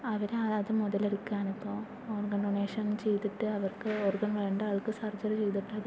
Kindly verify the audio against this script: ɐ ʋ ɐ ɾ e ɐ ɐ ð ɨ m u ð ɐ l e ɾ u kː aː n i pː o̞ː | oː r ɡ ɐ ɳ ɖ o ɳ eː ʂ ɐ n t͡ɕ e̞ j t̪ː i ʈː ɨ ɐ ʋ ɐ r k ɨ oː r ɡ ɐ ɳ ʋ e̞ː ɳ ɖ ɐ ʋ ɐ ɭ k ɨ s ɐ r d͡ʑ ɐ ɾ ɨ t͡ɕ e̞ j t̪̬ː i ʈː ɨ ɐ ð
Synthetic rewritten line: ɐ ʋ ɐ ɾ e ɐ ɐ ð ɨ m u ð ɐ l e ɾ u kː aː n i pː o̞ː | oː r ɡ ɐ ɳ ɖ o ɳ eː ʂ ɐ n t͡ɕ e̞ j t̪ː i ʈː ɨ ɐ ʋ ɐ r k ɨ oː r ɡ ɐ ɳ ʋ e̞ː ɳ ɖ ɐ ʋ ɐ ɭ k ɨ s ɐ r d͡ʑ ɐ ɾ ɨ t͡ɕ e̞ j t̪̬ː i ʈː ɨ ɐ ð